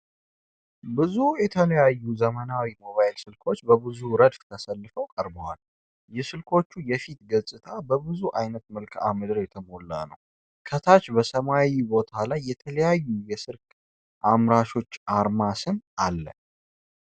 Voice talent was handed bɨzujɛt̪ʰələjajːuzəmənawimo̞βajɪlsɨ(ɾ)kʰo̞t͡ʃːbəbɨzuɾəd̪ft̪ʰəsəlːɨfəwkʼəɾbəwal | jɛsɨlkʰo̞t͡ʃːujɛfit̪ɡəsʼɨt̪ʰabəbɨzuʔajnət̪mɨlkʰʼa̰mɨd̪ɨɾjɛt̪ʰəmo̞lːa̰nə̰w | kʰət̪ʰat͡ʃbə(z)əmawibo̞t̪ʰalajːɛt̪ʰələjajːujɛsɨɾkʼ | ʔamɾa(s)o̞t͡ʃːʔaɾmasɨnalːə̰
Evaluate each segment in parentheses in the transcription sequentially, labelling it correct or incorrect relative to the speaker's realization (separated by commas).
incorrect, incorrect, incorrect